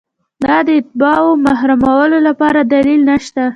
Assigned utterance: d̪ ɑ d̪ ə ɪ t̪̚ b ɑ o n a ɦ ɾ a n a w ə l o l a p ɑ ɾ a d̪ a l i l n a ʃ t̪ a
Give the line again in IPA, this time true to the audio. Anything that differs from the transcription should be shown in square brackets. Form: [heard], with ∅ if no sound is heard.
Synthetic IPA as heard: d̪ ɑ d̪ ə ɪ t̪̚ b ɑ o [m] a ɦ ɾ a [m] a w ə l o l a p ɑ ɾ a d̪ a l i l n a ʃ t̪ a